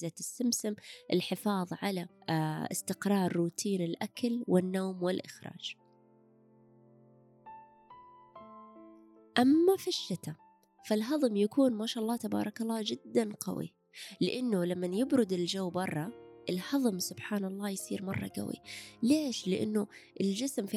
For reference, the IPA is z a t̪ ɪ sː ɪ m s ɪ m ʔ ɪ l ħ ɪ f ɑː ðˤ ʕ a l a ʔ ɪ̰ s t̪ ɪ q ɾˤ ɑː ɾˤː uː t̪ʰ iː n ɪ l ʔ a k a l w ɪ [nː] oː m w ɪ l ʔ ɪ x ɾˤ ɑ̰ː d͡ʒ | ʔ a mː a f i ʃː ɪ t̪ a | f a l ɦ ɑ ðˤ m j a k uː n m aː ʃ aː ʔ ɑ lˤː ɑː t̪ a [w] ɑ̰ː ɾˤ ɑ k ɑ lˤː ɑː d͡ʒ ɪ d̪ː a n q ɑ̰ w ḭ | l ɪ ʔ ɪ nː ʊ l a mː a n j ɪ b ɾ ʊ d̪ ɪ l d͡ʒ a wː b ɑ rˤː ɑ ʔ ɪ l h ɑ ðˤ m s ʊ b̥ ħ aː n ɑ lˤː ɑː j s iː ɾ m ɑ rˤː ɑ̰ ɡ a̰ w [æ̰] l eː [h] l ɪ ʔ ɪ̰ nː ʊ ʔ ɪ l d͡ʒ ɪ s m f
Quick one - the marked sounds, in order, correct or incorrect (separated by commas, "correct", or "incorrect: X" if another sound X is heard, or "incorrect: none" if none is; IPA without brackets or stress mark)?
correct, incorrect: b, incorrect: ḭ, incorrect: ʃ